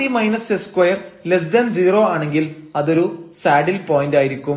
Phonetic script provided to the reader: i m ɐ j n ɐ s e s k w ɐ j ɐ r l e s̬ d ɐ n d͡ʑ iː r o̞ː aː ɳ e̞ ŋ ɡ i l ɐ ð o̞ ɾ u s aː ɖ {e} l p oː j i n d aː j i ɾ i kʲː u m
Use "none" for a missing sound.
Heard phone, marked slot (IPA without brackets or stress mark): i